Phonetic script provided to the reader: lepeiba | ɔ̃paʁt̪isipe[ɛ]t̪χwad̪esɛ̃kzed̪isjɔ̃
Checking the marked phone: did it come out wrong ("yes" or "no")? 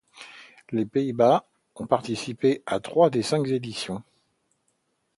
yes